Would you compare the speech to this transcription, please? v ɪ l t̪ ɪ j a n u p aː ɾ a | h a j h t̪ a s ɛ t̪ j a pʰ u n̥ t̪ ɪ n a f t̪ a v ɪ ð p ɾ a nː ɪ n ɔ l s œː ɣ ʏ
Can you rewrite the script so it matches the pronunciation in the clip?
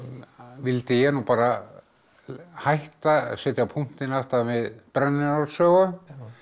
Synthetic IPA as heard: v ɪ l t̪ ɪ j ɛ n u p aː ɾ a | h a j h t̪ a s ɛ t̪ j a pʰ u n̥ t̪ ɪ n a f t̪ a v ɪ ð p ɾ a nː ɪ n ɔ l s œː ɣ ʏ